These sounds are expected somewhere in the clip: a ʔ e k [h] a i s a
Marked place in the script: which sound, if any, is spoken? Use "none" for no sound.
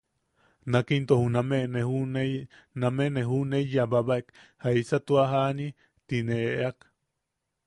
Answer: h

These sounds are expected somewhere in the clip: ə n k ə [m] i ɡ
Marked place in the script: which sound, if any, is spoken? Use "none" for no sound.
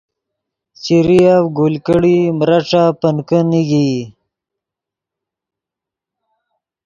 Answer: n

